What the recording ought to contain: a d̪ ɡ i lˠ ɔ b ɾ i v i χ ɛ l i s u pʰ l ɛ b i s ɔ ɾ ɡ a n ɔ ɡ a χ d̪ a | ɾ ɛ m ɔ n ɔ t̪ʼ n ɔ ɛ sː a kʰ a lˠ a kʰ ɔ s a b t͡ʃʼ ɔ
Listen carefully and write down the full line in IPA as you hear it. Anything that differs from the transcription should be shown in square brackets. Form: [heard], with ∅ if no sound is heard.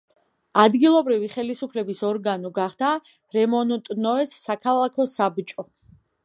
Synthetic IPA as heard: a d̪ ɡ i lˠ ɔ b ɾ i v i χ ɛ l i s u pʰ l ɛ b i s ɔ ɾ ɡ a n ɔ ɡ a χ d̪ a | ɾ ɛ m ɔ n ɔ t̪ʼ n ɔ ɛ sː a kʰ a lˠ a kʰ ɔ s a b t͡ʃʼ ɔ